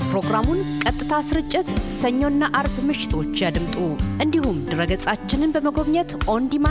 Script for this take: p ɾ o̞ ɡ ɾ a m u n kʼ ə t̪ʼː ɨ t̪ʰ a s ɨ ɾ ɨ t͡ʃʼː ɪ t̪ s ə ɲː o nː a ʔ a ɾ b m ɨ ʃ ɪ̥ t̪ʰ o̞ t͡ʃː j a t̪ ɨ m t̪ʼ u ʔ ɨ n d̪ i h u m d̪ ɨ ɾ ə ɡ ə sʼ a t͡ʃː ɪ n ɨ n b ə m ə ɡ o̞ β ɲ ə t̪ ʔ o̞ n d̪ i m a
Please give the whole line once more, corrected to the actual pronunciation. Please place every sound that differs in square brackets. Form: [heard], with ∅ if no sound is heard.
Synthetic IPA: p ɾ o̞ ɡ ɾ a m u n kʼ ə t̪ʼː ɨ t̪ʰ a s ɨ ɾ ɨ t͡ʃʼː ɪ t̪ s ə ɲː o nː a ʔ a ɾ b m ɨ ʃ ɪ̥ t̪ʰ o̞ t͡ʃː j a [d̪] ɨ m t̪ʼ u ʔ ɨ n d̪ i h u m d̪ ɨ ɾ ə ɡ ə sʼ a t͡ʃː ɪ n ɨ n b ə m ə ɡ o̞ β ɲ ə t̪ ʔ o̞ n d̪ i m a